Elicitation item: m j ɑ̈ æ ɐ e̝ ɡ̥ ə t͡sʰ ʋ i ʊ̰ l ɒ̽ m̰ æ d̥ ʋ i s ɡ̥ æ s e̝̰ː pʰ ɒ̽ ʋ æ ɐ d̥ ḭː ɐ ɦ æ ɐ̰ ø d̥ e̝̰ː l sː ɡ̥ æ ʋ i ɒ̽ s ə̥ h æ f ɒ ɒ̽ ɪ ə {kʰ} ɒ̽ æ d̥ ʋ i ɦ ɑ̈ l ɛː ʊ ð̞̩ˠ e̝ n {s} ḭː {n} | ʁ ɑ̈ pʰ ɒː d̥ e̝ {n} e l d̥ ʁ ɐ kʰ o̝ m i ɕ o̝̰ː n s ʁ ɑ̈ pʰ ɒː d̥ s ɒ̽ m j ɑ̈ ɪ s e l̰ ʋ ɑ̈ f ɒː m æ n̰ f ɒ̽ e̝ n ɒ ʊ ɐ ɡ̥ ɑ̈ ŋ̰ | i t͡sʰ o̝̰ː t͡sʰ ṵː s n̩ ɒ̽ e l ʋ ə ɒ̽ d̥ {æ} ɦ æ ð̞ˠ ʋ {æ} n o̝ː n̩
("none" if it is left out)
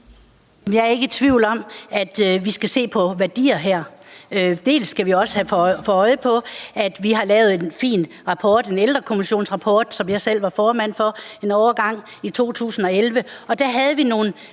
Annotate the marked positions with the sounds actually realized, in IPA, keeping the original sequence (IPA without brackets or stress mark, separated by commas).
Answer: pʰ, f, n, n, æ, i